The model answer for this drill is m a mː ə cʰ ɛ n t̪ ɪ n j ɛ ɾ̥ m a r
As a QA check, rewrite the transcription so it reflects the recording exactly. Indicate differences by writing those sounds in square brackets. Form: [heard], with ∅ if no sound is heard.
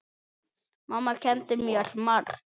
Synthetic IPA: m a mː [a] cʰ ɛ n t̪ ɪ [m] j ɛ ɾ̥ m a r